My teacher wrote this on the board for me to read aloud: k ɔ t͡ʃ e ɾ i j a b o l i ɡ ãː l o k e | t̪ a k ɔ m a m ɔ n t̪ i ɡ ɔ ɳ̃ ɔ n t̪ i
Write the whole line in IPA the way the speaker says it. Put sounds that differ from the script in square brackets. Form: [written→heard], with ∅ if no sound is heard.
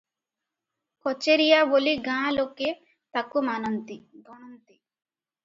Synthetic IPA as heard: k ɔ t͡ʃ e ɾ i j a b o l i ɡ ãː l o k e | t̪ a k [ɔ→u] m a [m→n] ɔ n t̪ i ɡ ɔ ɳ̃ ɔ n t̪ i